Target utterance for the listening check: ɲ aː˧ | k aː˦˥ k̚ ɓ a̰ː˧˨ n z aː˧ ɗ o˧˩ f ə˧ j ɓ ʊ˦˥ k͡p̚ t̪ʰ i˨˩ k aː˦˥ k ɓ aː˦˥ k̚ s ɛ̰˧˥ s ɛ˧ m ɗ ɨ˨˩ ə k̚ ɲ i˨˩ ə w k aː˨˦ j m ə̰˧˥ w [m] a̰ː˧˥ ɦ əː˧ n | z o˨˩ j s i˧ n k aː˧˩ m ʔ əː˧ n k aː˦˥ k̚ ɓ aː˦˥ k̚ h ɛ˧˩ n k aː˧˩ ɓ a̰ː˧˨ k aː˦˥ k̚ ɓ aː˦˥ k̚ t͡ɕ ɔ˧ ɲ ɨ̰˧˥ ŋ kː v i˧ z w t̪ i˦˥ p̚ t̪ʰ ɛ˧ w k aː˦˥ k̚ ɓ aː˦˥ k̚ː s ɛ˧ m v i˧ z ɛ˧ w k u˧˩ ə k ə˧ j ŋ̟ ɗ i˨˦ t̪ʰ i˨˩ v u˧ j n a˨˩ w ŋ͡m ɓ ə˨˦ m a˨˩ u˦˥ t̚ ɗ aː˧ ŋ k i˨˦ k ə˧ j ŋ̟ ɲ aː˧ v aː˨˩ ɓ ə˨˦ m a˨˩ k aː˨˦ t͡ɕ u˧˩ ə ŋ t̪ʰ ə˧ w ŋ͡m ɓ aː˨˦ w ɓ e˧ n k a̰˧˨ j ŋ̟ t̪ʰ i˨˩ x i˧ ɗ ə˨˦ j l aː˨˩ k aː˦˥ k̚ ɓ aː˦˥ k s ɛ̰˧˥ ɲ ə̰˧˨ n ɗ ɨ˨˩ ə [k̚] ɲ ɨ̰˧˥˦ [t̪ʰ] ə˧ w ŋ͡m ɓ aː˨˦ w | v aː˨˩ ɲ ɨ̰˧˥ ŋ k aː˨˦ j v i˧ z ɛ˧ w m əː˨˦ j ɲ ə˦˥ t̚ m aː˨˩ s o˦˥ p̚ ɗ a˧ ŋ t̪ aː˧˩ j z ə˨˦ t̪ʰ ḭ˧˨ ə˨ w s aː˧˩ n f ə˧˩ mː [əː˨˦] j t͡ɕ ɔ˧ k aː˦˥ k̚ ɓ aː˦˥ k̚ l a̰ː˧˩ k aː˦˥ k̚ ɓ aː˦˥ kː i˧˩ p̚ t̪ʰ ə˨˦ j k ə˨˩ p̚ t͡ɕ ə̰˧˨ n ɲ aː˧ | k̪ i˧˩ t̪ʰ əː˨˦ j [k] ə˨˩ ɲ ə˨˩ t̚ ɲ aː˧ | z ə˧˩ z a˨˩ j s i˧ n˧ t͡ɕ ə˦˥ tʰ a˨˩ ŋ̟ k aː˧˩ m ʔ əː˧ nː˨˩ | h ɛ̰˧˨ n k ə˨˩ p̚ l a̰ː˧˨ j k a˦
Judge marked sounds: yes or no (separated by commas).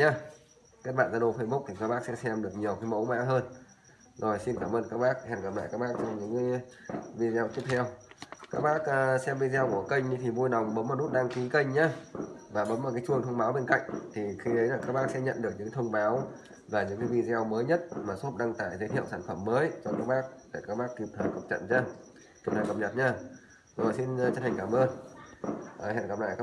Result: yes, yes, yes, yes, yes